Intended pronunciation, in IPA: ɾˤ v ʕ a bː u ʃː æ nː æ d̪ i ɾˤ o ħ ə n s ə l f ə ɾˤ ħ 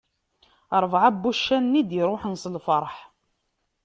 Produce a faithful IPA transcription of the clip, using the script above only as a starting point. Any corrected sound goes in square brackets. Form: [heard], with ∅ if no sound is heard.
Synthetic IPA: ɾˤ v ʕ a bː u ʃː æ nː [i] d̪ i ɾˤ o ħ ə n s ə l f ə ɾˤ ħ